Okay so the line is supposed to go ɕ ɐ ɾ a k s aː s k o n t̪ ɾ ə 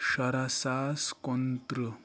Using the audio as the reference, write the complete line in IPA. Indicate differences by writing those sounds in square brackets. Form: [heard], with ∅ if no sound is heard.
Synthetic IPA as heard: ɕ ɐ ɾ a [∅] s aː s k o n t̪ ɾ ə